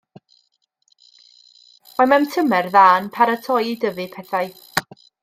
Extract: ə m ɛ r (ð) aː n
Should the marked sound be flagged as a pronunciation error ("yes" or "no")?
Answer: no